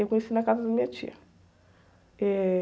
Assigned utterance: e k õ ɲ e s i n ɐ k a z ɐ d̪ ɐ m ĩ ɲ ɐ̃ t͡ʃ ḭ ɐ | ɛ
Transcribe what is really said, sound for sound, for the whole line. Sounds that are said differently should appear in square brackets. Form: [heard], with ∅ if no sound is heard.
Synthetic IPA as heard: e k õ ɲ e s i n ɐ k a z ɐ d̪ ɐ m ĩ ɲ [ɐ] t͡ʃ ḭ ɐ | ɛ